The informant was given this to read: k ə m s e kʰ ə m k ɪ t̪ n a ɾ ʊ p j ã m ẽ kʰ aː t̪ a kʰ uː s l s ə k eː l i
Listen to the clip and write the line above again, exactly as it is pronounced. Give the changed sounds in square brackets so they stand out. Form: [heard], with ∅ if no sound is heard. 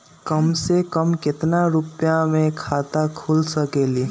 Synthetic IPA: k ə m s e [k] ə m k ɪ t̪ n a ɾ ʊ p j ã m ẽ kʰ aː t̪ a kʰ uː [∅] l s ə k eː l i